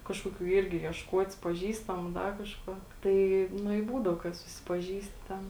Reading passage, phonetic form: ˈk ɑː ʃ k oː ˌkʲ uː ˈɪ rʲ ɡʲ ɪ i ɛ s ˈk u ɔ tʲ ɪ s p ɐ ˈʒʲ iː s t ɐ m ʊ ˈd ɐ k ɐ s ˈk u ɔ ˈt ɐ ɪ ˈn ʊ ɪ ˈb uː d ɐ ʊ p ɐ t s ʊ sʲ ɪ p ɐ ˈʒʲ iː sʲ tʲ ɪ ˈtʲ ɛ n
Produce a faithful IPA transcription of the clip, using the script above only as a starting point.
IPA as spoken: ˈk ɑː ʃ k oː ˌkʲ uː ˈɪ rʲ ɡʲ ɪ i ɛ ʃ ˈk u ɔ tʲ ɪ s p ɐ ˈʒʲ iː s t ɐ m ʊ ˈd ɐ k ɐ ʃ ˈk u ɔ ˈt ɐ ɪ ˈn ʊ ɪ ˈb uː d ɐ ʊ k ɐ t s ʊ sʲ ɪ p ɐ ˈʒʲ iː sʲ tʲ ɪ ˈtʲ ɛ n